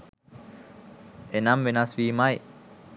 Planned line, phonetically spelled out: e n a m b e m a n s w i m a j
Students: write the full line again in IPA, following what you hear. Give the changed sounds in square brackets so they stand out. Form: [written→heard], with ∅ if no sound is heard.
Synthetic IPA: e n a m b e [m→n] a [n→∅] s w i m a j